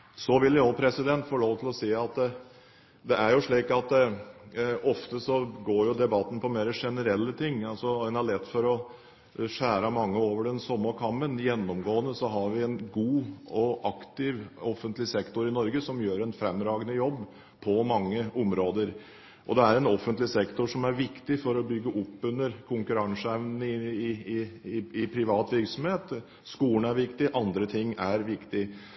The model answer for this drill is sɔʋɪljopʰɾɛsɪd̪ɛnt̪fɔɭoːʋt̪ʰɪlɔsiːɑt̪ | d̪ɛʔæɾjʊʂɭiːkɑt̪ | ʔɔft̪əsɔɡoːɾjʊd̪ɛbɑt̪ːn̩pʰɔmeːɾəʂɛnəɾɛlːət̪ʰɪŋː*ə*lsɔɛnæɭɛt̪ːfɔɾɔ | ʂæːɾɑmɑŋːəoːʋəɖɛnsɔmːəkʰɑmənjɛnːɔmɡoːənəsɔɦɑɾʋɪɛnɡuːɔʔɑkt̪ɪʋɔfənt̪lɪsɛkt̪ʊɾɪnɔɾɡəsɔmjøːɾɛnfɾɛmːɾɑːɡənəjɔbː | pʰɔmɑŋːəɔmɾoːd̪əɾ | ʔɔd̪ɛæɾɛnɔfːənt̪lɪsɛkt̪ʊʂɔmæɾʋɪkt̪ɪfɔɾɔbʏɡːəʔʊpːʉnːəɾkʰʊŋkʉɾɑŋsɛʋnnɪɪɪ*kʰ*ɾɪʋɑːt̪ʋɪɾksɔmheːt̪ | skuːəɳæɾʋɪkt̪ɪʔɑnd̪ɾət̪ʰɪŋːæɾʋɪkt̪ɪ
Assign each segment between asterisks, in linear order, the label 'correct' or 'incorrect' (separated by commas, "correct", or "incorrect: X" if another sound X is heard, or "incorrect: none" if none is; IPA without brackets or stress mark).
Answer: incorrect: ɑ, incorrect: pʰ